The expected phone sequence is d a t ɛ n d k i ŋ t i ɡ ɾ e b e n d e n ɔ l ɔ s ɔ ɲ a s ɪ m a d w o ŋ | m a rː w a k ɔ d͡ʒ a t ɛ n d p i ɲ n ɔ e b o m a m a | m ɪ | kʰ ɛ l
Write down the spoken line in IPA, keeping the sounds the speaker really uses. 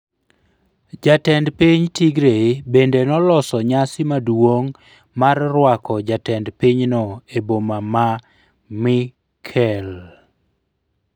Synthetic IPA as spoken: d͡ʒ a t ɛ n d p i ɲ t i ɡ ɾ e b e n d e n ɔ l ɔ s ɔ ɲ a s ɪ m a d w o ŋ | m a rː w a k ɔ d͡ʒ a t ɛ n d p i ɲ n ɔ e b o m a m a | m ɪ | kʰ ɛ l

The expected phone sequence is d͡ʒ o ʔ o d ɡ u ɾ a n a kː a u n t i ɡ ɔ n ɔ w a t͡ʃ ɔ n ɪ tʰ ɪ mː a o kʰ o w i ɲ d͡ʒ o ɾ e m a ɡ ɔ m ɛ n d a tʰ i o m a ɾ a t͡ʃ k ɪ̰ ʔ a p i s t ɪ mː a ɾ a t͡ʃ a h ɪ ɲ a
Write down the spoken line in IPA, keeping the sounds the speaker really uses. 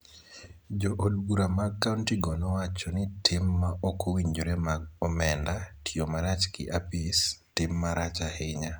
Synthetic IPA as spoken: d͡ʒ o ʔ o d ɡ u ɾ a m a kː a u n t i ɡ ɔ n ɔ w a t͡ʃ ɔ n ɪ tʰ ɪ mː a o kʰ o w i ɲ d͡ʒ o ɾ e m a ɡ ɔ m ɛ n d a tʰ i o m a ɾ a t͡ʃ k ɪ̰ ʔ a p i s t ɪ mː a ɾ a t͡ʃ a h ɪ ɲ a

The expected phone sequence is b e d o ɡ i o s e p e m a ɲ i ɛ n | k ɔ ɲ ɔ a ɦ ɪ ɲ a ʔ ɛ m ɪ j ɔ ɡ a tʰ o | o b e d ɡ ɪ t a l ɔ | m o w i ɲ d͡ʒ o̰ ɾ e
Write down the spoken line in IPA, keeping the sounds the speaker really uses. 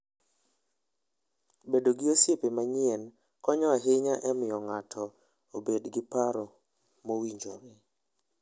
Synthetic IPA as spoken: b e d o ɡ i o s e p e m a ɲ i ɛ n | k ɔ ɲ ɔ a ɦ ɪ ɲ a ʔ ɛ m ɪ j ɔ ŋ a tʰ ɔ | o b e d ɡ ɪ p a ɾ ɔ | m o w i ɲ d͡ʒ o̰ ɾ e

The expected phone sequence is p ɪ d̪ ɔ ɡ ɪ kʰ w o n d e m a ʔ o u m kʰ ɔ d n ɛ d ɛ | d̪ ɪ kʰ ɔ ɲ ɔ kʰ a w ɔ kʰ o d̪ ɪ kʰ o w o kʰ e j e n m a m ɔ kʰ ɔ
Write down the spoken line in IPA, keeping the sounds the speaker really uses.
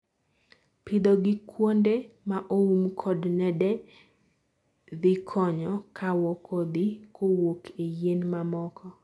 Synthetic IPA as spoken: p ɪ d̪ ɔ ɡ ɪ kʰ w o n d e m a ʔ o u m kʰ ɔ d n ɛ d ɛ | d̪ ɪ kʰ ɔ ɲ ɔ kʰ a w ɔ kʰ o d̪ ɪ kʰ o w o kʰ e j e n m a m ɔ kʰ ɔ

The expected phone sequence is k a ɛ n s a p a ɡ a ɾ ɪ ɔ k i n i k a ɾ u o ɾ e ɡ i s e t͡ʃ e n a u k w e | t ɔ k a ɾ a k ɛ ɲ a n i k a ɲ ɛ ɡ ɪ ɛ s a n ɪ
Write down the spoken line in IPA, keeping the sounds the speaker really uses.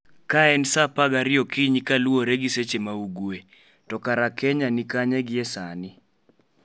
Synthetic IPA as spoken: k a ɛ n s a p a ɡ a ɾ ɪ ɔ k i ɲ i k a l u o ɾ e ɡ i s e t͡ʃ e m a u ɡ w e | t ɔ k a ɾ a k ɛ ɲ a n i k a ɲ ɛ ɡ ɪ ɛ s a n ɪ

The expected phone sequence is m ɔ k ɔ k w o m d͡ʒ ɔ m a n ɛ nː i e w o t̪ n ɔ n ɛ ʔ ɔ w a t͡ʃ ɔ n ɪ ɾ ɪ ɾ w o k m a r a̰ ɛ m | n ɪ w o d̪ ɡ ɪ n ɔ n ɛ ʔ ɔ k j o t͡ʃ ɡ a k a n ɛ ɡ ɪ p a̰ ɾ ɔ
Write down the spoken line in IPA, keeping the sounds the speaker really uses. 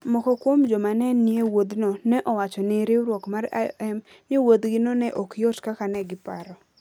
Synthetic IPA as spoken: m ɔ k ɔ k w o m d͡ʒ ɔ m a n ɛ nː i e w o d̪ n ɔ n ɛ ʔ ɔ w a t͡ʃ ɔ n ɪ ɾ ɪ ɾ w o k m a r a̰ ɛ m | n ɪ w o d̪ ɡ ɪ n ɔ n ɛ ʔ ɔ k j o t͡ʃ k a k a n ɛ ɡ ɪ p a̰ ɾ ɔ

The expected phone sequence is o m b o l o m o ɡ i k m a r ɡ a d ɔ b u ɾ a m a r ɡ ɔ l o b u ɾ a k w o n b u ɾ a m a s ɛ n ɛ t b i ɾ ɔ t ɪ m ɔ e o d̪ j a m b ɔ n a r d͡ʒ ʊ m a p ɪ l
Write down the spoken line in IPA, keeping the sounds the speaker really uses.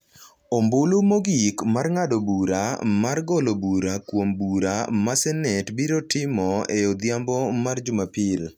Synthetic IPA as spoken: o m b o l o m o ɡ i k m a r ŋ a d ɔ b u ɾ a m a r ɡ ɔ l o b u ɾ a k w o m b u ɾ a m a s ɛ n ɛ t b i ɾ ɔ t ɪ m ɔ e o d̪ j a m b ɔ m a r d͡ʒ ʊ m a p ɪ l

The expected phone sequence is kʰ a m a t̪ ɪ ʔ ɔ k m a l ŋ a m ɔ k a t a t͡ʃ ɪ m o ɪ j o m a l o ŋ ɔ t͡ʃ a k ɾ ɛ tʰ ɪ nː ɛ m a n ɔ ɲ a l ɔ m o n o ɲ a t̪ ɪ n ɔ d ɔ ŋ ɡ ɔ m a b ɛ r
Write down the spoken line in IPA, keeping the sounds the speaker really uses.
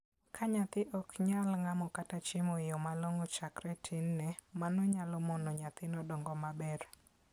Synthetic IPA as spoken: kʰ a ɲ a t̪ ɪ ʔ ɔ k ɲ a l ŋ a m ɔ k a t a t͡ʃ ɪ m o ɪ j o m a l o ŋ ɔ t͡ʃ a k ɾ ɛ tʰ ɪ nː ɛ m a n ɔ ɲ a l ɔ m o n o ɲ a t̪ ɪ n ɔ d ɔ ŋ ɡ ɔ m a b ɛ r

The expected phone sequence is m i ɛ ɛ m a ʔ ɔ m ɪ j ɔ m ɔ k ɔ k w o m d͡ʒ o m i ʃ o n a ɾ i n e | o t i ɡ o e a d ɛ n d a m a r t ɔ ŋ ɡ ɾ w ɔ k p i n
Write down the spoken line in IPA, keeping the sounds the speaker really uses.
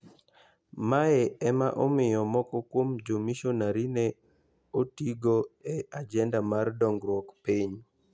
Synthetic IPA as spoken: m a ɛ ɛ m a ʔ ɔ m ɪ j ɔ m ɔ k ɔ k w o m d͡ʒ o m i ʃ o n a ɾ i n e | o t i ɡ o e a d͡ʒ ɛ n d a m a r d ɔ ŋ ɡ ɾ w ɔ k p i ɲ

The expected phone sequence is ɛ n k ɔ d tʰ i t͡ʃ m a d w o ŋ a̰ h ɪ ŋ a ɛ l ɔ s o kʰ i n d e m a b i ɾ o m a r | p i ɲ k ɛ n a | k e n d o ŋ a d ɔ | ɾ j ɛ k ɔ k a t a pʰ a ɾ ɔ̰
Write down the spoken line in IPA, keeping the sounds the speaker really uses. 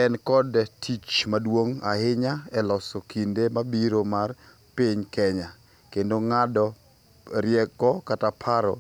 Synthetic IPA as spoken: ɛ n k ɔ d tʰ i t͡ʃ m a d w o ŋ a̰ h ɪ ɲ a ɛ l ɔ s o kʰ i n d e m a b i ɾ o m a r | p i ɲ k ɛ ɲ a | k e n d o ŋ a d ɔ | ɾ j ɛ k ɔ k a t a pʰ a ɾ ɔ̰

